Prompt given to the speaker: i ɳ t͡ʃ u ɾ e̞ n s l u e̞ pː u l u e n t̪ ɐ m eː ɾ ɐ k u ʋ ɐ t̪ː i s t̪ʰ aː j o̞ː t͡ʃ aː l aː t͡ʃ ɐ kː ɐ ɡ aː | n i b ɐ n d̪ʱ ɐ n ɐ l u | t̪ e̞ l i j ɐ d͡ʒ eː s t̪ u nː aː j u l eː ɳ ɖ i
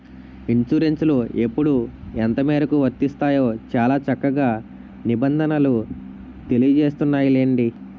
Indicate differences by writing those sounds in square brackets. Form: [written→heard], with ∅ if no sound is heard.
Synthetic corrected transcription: i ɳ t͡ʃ u ɾ e̞ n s l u e̞ pː u [l→ɽ] u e n t̪ ɐ m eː ɾ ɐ k u ʋ ɐ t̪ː i s [t̪ʰ→t̪] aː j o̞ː t͡ʃ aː l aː t͡ʃ ɐ kː ɐ ɡ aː | n i b ɐ n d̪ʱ ɐ n ɐ l u | t̪ e̞ l i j ɐ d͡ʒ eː s t̪ u nː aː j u l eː ɳ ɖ i